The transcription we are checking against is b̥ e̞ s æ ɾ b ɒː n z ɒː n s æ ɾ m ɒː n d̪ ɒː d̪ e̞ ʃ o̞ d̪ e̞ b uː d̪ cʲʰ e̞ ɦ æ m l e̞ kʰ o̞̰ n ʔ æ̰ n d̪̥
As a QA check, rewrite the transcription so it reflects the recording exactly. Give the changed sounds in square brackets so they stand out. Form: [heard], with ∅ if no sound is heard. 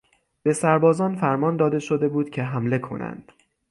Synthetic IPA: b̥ e̞ s æ ɾ b ɒː [∅] z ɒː n [f] æ ɾ m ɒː n d̪ ɒː d̪ e̞ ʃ o̞ d̪ e̞ b uː d̪ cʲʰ e̞ ɦ æ m l e̞ kʰ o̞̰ n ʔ æ̰ n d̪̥